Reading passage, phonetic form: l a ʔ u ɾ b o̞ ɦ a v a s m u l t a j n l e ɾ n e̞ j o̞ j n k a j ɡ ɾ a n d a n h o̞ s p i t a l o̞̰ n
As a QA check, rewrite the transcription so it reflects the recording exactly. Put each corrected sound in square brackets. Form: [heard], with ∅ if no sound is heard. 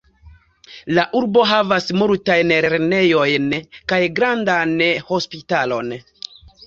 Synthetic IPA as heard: l a ʔ u ɾ b o̞ ɦ a v a s m u l t a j n [ɾ] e ɾ n e̞ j o̞ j n k a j ɡ ɾ a n d a n h o̞ s p i t a l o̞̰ n